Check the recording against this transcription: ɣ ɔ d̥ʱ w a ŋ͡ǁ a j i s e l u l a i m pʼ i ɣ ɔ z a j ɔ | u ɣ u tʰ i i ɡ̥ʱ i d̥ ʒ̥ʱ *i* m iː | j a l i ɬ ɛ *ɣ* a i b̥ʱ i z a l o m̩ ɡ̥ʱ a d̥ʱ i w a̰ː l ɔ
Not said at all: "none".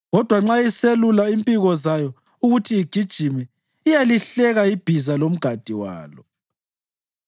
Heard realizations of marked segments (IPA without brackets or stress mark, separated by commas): i, ɣ